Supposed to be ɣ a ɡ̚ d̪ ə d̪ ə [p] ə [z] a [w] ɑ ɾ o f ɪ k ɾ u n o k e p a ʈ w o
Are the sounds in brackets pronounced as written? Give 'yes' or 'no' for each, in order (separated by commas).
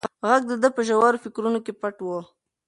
yes, no, yes